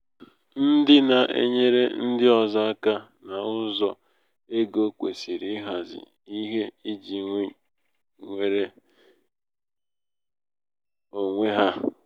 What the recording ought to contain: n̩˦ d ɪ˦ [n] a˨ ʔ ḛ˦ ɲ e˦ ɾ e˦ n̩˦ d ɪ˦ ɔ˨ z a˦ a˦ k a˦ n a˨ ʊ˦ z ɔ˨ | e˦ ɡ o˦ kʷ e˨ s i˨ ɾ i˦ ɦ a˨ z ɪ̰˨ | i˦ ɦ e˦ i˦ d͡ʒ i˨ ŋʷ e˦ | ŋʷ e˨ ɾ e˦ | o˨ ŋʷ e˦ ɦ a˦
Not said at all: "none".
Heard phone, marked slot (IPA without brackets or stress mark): n